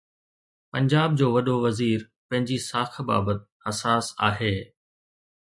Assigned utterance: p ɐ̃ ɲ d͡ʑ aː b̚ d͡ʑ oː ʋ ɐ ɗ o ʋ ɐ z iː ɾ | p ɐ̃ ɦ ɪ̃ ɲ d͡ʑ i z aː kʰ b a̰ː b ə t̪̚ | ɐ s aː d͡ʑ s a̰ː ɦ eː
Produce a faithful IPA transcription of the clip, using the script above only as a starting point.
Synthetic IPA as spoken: p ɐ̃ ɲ d͡ʑ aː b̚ d͡ʑ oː ʋ ɐ ɗ o ʋ ɐ z iː ɾ | p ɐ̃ ɦ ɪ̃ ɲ d͡ʑ i s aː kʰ b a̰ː b ə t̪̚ | ɐ s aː s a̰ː ɦ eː